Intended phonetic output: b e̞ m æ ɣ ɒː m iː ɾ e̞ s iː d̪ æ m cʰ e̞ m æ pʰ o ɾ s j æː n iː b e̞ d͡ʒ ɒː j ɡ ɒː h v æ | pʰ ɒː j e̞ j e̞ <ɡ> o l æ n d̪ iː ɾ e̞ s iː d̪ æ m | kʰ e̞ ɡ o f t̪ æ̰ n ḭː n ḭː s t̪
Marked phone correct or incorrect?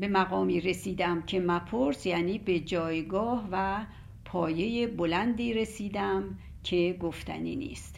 incorrect